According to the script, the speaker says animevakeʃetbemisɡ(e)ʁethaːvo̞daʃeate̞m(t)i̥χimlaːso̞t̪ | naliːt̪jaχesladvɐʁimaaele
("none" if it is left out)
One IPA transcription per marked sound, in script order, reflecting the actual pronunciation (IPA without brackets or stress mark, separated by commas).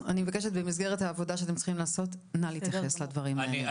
e, t͡s